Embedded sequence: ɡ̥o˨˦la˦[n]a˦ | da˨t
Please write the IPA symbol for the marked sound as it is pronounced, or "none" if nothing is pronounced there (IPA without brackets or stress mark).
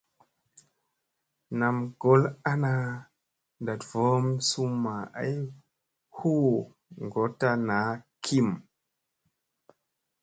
n